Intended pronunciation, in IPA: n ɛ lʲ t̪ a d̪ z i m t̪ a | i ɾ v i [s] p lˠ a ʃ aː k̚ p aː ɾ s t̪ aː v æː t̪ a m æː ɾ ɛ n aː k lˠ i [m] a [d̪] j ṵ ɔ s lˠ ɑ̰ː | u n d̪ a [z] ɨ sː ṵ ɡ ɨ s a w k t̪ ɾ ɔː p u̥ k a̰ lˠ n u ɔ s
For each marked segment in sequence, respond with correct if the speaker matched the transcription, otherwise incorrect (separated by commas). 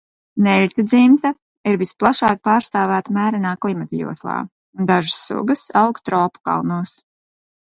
correct, correct, incorrect, incorrect